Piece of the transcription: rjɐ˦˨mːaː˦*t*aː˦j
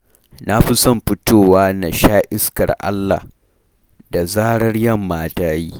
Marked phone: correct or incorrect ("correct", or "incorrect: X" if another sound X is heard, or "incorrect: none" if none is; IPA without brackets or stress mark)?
correct